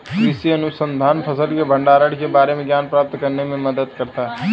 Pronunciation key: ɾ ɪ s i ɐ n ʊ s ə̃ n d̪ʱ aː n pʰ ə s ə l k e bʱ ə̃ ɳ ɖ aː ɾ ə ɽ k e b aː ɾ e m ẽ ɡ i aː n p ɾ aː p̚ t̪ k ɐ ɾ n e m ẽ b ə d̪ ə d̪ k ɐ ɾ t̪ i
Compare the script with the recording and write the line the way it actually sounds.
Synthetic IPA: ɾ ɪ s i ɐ n ʊ s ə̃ n d̪ʱ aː n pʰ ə s ə l k e bʱ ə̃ ɳ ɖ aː ɾ ə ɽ k e b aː ɾ e m ẽ ɡ j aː n p ɾ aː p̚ t̪ k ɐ ɾ n e m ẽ m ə d̪ ə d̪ k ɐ ɾ t̪ a